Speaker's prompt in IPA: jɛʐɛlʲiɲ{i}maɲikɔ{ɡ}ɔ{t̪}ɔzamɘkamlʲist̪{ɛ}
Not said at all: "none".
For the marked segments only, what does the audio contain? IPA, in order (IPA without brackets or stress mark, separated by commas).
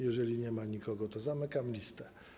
ɛ, ɡ, t̪, ɛ